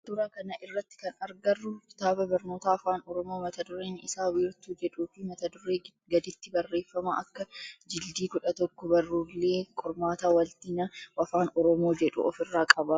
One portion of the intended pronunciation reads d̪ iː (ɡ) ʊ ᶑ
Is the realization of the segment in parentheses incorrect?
yes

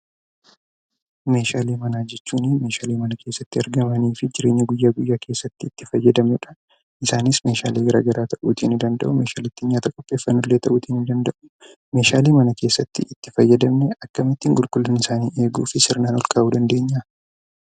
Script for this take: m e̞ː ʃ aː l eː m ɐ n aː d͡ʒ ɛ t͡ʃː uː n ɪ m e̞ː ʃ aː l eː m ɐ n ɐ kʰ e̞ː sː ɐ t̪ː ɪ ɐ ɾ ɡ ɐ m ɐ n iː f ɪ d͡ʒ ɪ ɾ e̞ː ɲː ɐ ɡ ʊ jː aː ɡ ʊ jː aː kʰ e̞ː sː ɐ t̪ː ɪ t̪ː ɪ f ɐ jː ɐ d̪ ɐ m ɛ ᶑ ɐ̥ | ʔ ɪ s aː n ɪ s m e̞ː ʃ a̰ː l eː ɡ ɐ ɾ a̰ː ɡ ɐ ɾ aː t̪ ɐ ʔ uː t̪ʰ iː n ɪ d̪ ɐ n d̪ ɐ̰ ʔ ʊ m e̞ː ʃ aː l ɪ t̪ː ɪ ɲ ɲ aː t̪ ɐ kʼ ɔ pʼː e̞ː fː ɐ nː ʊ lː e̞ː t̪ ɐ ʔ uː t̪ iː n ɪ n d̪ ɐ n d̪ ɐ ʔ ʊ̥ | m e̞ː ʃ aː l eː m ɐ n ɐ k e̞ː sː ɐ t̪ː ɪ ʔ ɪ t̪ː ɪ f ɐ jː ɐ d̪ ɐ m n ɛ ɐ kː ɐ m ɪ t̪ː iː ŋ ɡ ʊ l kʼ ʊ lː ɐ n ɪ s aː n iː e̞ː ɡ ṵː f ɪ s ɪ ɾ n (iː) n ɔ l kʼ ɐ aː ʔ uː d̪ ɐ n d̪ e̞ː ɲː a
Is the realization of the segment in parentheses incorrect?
yes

